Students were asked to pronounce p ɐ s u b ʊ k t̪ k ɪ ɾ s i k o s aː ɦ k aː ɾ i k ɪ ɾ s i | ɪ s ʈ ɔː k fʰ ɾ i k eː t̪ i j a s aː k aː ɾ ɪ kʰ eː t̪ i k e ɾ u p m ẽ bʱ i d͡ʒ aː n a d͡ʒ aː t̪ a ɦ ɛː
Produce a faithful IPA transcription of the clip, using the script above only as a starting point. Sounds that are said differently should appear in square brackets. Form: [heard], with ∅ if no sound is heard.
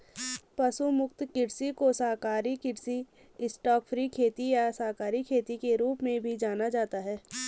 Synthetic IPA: p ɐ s u [m] ʊ k t̪ k ɪ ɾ s i k o s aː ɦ k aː ɾ i k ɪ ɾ s i | ɪ s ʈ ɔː k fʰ ɾ i [kʰ] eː t̪ i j a s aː k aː ɾ [i] kʰ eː t̪ i k e ɾ [uː] p m ẽ bʱ i d͡ʒ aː n a d͡ʒ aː t̪ a ɦ ɛː